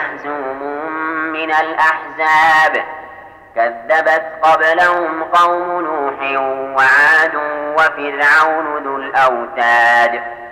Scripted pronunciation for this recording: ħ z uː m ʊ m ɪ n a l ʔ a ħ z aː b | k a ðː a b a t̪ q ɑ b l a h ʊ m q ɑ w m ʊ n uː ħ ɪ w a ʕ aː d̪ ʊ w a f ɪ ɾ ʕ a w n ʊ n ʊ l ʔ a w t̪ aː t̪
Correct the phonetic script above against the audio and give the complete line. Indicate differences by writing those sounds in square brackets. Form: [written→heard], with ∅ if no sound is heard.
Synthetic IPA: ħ z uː m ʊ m ɪ n a l ʔ a ħ z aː b | k a ðː a b a t̪ q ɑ b l a h ʊ m q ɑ w m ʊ n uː ħ ɪ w a ʕ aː d̪ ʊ w a f ɪ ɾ ʕ a w n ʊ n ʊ l ʔ a w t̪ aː [t̪→d̪]